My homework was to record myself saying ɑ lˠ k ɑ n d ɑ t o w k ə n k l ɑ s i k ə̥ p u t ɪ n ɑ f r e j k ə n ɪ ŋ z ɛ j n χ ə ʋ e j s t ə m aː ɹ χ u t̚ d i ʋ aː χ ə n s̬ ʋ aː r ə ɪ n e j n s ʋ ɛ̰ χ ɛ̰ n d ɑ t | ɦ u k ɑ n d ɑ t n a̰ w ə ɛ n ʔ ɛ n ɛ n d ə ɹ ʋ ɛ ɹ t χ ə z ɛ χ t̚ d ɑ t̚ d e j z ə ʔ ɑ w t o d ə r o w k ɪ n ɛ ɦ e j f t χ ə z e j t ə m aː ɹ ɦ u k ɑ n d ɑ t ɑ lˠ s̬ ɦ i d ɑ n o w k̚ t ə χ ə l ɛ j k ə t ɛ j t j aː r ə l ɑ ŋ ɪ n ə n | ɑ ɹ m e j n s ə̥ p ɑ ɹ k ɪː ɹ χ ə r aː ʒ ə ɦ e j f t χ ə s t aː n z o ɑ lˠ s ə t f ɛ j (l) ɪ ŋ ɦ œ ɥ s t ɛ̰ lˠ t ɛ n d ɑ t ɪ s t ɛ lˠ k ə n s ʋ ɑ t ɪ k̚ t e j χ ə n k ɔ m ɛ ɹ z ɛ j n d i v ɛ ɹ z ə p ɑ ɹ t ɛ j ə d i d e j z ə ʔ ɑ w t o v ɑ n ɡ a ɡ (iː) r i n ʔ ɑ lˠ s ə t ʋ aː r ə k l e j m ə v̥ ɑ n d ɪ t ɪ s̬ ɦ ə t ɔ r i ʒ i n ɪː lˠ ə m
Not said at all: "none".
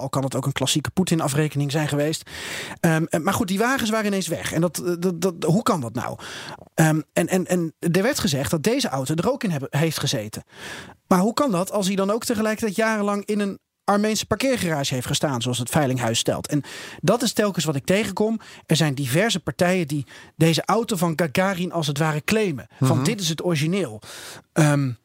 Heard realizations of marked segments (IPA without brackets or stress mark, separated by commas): l, aː